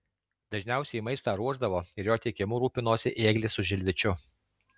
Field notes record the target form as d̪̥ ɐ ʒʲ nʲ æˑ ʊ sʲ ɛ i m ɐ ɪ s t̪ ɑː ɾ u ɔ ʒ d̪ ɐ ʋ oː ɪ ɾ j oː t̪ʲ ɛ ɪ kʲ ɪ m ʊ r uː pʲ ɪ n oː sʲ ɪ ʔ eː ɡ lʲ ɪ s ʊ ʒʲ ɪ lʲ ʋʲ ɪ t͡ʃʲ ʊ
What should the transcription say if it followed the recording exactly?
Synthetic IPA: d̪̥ ɐ ʒʲ nʲ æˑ ʊ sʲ ɛ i m ɐ ɪ s t̪ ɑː ɾ u ɔ ʒ d̪ ɐ ʋ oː ɪ ɾ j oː t̪ʲ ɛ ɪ kʲ ɪ m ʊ ɾ uː pʲ ɪ n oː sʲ ɪ ʔ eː ɡ lʲ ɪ s ʊ ʒʲ ɪ lʲ ʋʲ ɪ t͡ʃʲ ʊ